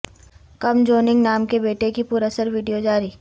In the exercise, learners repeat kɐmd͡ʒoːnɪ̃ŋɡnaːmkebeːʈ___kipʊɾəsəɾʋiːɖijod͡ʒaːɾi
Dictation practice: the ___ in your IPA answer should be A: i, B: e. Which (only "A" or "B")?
B